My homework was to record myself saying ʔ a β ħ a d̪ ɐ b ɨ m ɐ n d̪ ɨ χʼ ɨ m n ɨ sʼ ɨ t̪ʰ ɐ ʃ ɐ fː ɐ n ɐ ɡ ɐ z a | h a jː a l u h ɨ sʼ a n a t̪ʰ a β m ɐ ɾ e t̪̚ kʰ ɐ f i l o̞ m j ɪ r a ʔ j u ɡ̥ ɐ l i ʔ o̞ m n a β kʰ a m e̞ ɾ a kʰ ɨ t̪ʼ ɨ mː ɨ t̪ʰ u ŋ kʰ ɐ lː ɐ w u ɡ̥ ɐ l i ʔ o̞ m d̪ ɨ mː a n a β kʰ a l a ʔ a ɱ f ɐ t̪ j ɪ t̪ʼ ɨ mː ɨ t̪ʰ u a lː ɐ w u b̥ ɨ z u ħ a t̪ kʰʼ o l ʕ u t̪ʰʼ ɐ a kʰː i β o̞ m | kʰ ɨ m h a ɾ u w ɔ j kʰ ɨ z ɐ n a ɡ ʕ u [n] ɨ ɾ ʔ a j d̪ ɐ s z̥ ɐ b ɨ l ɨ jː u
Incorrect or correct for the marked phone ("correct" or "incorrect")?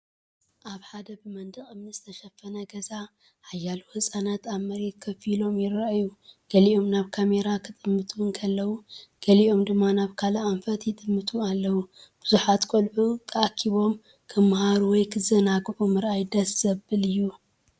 incorrect